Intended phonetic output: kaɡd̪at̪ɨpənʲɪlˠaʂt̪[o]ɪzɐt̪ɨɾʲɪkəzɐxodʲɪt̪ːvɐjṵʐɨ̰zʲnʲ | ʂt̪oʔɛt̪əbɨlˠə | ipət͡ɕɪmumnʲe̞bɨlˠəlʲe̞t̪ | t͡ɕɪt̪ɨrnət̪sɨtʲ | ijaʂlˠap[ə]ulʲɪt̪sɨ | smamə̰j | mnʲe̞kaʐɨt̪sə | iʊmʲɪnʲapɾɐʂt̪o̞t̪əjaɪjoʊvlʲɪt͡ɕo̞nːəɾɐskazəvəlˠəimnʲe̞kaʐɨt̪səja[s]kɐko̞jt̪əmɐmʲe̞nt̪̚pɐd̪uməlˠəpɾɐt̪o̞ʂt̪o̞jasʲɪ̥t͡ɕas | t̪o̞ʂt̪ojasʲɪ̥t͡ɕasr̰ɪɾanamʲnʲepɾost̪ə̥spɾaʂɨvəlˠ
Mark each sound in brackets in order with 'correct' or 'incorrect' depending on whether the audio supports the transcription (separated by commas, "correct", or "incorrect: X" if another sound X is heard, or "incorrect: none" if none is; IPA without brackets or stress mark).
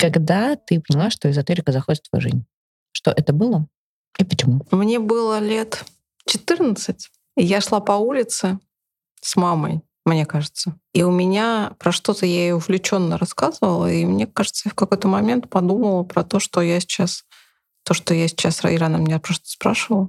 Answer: correct, incorrect: ɐ, incorrect: f